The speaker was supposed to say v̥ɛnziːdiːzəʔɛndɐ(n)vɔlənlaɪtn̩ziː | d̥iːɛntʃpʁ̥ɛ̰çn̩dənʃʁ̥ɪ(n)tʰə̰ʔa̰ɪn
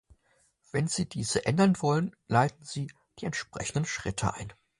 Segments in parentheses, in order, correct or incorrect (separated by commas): correct, incorrect